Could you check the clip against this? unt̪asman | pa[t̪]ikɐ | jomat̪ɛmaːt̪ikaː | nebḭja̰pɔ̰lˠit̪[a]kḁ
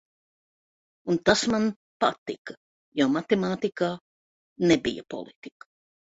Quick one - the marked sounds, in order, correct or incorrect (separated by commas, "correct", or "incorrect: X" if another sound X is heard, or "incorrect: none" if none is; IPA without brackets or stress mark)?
correct, incorrect: i